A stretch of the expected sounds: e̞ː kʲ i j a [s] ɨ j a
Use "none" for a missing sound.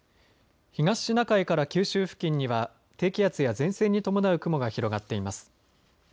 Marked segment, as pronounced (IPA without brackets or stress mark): t͡s